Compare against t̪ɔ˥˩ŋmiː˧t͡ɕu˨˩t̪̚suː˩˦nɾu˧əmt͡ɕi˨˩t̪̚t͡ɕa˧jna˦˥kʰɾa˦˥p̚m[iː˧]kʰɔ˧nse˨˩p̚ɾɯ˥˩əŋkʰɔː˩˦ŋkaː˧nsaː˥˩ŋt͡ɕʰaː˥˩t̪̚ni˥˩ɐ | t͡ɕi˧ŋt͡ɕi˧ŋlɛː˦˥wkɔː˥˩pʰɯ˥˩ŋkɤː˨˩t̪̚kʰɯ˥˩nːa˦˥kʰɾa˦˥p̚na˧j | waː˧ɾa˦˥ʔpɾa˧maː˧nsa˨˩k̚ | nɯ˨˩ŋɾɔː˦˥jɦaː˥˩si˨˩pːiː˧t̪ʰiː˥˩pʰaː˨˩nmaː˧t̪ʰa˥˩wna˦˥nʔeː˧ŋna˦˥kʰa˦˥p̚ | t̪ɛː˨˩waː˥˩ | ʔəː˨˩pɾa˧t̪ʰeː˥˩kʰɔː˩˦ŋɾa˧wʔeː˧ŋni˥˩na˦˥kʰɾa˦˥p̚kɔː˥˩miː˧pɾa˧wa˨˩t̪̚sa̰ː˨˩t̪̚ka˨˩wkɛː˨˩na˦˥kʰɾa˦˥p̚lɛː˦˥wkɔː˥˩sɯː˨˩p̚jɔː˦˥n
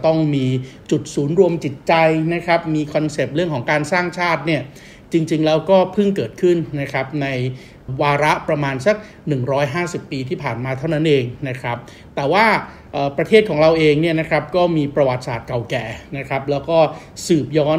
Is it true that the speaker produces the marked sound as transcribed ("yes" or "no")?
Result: yes